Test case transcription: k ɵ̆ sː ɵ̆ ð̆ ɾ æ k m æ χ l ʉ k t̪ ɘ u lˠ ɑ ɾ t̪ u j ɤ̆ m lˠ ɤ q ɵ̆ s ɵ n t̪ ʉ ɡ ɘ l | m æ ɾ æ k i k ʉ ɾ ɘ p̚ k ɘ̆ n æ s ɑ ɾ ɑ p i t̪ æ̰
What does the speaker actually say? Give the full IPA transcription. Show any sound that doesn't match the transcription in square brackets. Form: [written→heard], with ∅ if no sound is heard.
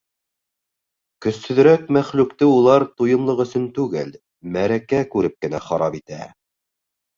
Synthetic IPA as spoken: k ɵ̆ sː ɵ̆ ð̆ ɾ æ k m æ χ l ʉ k t̪ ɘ u lˠ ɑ ɾ t̪ u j ɤ̆ m lˠ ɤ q ɵ̆ s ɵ n t̪ ʉ ɡ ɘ l | m æ ɾ æ k [i→æ] k ʉ ɾ ɘ p̚ k ɘ̆ n æ [s→χ] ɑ ɾ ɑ p i t̪ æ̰

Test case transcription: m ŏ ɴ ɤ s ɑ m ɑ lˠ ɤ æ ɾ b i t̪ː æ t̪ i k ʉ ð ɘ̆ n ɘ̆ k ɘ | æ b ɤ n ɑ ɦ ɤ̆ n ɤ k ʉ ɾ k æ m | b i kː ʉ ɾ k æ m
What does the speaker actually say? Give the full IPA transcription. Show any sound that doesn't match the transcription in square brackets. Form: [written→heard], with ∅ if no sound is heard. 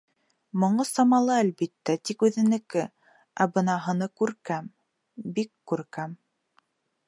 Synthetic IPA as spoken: m ŏ ɴ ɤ s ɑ m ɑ lˠ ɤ æ [ɾ→l] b i t̪ː æ t̪ i k ʉ ð ɘ̆ n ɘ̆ k ɘ | æ b ɤ n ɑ ɦ ɤ̆ n ɤ k ʉ ɾ k æ m | b i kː ʉ ɾ k æ m

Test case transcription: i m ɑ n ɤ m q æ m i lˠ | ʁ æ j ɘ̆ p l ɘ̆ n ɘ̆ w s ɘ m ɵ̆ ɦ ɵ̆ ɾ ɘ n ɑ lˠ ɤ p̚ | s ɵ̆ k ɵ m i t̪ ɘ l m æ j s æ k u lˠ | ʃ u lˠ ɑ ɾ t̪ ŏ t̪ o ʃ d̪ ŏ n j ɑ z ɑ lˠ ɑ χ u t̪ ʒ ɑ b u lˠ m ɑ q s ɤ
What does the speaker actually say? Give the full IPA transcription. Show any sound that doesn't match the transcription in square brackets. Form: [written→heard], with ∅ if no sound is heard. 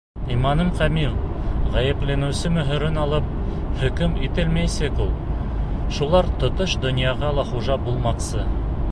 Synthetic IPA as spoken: i m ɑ n ɤ m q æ m i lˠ | ʁ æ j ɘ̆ p l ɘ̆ n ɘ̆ w s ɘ m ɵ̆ ɦ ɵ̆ ɾ ɘ n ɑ lˠ ɤ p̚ | [s→h] ɵ̆ k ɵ m i t̪ ɘ l m æ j s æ k u lˠ | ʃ u lˠ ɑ ɾ t̪ ŏ t̪ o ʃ d̪ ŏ n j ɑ [z→ʁ] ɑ lˠ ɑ χ u [t̪→∅] ʒ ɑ b u lˠ m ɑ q s ɤ

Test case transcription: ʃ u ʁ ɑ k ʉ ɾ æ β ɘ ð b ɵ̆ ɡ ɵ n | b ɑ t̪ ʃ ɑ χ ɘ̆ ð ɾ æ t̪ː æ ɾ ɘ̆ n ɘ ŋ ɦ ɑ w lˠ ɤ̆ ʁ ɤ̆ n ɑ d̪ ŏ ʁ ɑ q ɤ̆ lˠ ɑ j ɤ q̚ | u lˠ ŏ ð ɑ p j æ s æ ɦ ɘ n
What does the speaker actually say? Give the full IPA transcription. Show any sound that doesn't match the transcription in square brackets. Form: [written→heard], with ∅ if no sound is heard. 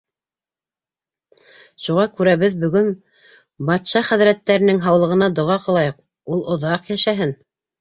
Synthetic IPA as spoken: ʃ u ʁ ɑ k ʉ ɾ æ β ɘ ð b ɵ̆ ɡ ɵ n | b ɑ t̪ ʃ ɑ χ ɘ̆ ð ɾ æ t̪ː æ ɾ ɘ̆ n ɘ ŋ ɦ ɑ w lˠ ɤ̆ ʁ ɤ̆ n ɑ d̪ ŏ ʁ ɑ q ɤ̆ lˠ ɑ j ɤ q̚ | u lˠ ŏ ð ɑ [p→q] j æ [s→ʃ] æ ɦ ɘ n

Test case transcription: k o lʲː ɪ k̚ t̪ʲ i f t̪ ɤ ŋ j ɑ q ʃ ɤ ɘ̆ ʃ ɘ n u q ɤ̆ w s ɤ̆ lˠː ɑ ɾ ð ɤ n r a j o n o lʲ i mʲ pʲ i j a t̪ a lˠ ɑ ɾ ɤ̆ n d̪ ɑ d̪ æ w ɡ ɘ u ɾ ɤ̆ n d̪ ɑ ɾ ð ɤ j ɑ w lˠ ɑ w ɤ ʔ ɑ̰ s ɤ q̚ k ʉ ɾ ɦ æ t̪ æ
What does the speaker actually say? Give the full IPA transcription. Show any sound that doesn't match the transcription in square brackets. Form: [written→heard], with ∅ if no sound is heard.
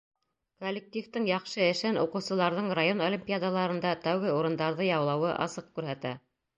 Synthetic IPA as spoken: k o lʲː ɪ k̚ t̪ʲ i f t̪ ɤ ŋ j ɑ q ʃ ɤ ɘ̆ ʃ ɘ n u q ɤ̆ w s ɤ̆ [lˠː→lˠ] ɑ ɾ ð ɤ [n→ɴ] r a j o n o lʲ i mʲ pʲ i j a [t̪→d̪] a lˠ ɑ ɾ ɤ̆ n d̪ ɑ [d̪→t̪] æ w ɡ ɘ u ɾ ɤ̆ n d̪ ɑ ɾ ð ɤ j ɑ w lˠ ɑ w ɤ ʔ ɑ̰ s ɤ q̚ k ʉ ɾ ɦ æ t̪ æ

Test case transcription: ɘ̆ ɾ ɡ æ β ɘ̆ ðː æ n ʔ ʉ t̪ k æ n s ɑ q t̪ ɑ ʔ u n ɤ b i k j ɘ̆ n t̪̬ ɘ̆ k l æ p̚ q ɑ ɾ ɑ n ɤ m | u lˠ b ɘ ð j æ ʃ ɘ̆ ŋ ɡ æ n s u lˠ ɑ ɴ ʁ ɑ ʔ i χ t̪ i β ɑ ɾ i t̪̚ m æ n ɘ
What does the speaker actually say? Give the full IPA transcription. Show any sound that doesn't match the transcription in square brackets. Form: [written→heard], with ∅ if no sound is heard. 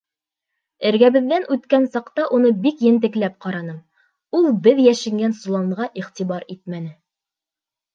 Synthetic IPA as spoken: ɘ̆ ɾ ɡ æ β ɘ̆ ðː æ n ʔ ʉ t̪ k æ n s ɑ q t̪ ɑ ʔ u n ɤ b i k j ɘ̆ n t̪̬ ɘ̆ k l æ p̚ q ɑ ɾ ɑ n ɤ m | u lˠ b ɘ ð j æ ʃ ɘ̆ ŋ ɡ æ n s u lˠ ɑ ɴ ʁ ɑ ʔ i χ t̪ i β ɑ ɾ i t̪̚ m æ n ɘ

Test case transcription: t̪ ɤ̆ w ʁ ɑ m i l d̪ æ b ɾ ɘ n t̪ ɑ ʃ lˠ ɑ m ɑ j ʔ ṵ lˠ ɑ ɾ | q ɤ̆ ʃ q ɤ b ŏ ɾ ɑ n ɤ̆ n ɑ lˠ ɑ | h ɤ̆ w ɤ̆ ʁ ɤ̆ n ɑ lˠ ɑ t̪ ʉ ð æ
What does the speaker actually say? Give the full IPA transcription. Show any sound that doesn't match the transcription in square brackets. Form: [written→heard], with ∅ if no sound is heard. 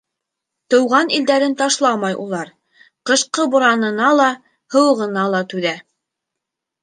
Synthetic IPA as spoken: t̪ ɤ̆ w ʁ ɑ [m→n] i l d̪ æ [b→∅] ɾ ɘ n t̪ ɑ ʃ lˠ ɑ m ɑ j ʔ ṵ lˠ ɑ ɾ | q ɤ̆ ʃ q ɤ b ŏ ɾ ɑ n ɤ̆ n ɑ lˠ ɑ | h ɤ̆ w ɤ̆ ʁ ɤ̆ n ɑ lˠ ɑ t̪ ʉ ð æ

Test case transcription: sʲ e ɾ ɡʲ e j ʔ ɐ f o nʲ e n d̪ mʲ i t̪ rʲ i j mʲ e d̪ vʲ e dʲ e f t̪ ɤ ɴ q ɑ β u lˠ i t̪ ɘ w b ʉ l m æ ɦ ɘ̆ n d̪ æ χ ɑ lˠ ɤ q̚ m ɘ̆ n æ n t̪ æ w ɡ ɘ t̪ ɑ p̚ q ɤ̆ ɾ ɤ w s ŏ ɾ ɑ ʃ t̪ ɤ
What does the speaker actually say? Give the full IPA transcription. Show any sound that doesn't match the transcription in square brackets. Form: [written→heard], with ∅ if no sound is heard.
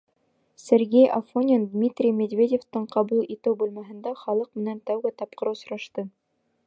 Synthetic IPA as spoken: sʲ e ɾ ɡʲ e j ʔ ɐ f o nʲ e n d̪ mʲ i t̪ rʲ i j mʲ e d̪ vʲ e dʲ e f t̪ ɤ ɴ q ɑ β u lˠ i t̪ ɘ w b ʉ l m æ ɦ ɘ̆ n d̪ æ χ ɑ lˠ ɤ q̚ m ɘ̆ n æ n t̪ æ w ɡ ɘ t̪ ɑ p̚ q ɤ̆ ɾ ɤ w s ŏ ɾ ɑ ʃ t̪ ɤ

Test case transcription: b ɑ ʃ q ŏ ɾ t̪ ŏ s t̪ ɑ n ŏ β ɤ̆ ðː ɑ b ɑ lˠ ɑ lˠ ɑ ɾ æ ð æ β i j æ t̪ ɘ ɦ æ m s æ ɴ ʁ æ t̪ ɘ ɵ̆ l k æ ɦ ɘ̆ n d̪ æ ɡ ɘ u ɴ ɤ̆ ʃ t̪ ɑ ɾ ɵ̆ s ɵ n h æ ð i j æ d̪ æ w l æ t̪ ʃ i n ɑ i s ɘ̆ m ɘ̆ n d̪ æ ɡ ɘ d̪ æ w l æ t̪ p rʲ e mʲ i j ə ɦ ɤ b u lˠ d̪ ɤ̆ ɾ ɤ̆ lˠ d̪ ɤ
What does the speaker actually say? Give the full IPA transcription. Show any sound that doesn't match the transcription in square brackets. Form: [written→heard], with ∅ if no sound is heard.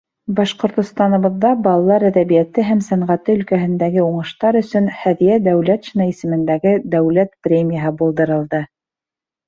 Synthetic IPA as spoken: b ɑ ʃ q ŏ ɾ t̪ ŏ s t̪ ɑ n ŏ β ɤ̆ ðː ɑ b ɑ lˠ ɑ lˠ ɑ ɾ æ ð æ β i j æ t̪ ɘ ɦ æ m s æ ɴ ʁ æ t̪ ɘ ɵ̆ l k æ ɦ ɘ̆ n d̪ æ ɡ ɘ u ɴ ɤ̆ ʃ t̪ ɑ ɾ ɵ̆ s ɵ n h æ ð i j æ d̪ æ w l æ t̪ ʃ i n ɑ i s ɘ̆ m ɘ̆ n d̪ æ ɡ ɘ d̪ æ w l æ t̪ p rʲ e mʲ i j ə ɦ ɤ b u lˠ d̪ ɤ̆ ɾ ɤ̆ lˠ d̪ ɤ

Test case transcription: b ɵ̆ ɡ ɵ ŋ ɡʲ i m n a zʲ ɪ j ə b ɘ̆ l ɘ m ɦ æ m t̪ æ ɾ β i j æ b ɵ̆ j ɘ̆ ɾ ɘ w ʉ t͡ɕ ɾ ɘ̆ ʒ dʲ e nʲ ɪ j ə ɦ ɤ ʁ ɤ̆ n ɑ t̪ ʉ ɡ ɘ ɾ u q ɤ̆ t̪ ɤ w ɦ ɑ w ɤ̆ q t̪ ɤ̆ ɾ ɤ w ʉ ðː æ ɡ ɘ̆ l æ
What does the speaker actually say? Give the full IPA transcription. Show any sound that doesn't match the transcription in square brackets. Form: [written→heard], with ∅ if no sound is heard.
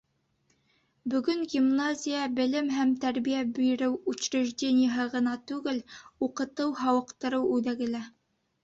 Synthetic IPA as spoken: b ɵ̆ ɡ ɵ ŋ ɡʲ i m n a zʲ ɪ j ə b ɘ̆ l ɘ m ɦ æ m t̪ æ ɾ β i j æ b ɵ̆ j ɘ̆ ɾ ɘ w ʉ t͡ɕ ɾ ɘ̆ ʒ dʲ e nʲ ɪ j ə ɦ ɤ ʁ ɤ̆ n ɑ t̪ ʉ ɡ ɘ [ɾ→l] u q ɤ̆ t̪ ɤ w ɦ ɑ w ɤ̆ q t̪ ɤ̆ ɾ ɤ w ʉ [ðː→ð] æ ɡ ɘ̆ l æ

